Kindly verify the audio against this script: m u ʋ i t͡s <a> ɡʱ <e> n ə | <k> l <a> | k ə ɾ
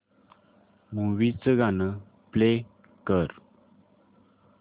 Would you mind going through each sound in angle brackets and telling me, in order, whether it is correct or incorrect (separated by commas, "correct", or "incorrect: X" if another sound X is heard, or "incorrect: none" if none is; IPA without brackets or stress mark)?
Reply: incorrect: ə, incorrect: a, incorrect: p, incorrect: e